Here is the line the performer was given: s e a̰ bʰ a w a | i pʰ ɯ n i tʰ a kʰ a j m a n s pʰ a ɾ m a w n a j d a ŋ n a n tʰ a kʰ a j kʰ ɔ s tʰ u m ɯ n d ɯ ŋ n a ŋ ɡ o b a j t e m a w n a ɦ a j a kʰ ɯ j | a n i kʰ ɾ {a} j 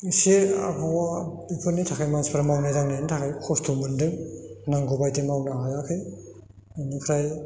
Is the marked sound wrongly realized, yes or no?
no